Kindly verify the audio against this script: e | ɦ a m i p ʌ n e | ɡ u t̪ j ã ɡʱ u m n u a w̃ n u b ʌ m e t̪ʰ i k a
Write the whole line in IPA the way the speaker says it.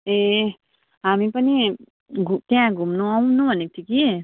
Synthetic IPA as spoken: e | ɦ a m i p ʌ n i | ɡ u t̪ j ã ɡʱ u m n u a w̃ n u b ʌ n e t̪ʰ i k i